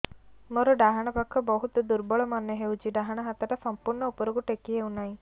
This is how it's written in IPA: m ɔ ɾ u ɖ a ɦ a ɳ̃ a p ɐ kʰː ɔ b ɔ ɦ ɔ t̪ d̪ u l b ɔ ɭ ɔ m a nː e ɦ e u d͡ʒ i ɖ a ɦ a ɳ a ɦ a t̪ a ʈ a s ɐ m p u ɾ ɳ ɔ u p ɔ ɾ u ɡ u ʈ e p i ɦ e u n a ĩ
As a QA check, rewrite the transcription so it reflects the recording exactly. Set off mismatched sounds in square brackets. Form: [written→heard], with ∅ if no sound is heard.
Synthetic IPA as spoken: m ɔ ɾ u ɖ a ɦ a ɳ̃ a p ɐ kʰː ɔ b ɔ ɦ [ɔ→u] t̪ d̪ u [l→ɾ] b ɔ ɭ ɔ m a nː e ɦ e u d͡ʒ i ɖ a ɦ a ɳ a ɦ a t̪ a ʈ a s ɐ m p u ɾ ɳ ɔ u p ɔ ɾ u ɡ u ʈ e [p→k] i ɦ e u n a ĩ